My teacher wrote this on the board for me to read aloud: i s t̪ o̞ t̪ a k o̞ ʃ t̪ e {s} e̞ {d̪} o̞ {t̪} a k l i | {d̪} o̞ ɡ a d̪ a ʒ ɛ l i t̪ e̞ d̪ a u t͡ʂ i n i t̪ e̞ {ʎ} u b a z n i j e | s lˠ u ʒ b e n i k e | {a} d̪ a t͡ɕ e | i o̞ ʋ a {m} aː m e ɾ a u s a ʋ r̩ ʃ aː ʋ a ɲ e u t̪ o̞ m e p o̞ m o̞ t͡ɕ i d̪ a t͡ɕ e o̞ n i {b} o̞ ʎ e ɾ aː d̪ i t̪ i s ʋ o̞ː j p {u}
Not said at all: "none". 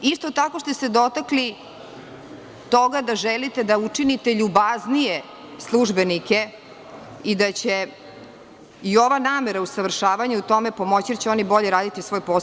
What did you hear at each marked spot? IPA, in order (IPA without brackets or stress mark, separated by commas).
s, d̪, t̪, t̪, ʎ, i, n, b, o